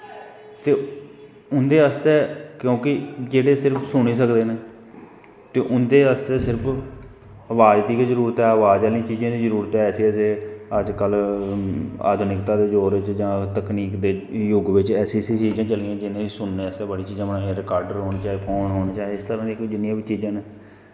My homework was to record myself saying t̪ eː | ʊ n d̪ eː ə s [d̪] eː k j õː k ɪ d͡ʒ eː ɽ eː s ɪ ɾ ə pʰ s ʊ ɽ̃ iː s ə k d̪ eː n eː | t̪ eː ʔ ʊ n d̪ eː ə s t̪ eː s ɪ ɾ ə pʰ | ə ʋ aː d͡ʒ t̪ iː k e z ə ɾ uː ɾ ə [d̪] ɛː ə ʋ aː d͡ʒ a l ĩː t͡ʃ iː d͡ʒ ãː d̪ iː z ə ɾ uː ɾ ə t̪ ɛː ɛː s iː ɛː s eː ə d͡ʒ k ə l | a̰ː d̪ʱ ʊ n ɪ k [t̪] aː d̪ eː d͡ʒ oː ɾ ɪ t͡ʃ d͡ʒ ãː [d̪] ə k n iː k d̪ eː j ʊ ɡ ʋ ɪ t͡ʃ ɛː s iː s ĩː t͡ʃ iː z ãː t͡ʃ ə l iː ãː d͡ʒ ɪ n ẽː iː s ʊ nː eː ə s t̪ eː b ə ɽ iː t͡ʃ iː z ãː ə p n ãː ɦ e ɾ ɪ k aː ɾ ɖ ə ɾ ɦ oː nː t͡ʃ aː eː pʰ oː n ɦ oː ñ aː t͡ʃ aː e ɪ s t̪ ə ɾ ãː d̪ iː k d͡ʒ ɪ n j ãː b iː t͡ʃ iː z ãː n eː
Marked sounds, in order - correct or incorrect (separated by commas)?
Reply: incorrect, incorrect, correct, incorrect